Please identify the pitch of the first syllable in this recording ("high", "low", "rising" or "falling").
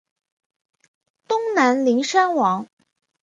high